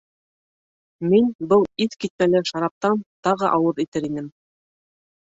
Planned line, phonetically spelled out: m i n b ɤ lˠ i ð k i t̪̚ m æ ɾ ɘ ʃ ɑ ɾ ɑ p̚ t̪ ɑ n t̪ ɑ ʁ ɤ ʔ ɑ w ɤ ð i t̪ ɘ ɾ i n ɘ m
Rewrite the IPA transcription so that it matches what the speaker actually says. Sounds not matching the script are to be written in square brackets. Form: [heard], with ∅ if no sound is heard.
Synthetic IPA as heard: m i n b ɤ lˠ i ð k i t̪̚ m æ [l] ɘ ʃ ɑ ɾ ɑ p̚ t̪ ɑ n t̪ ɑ ʁ ɤ ʔ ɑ w ɤ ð i t̪ ɘ ɾ i n ɘ m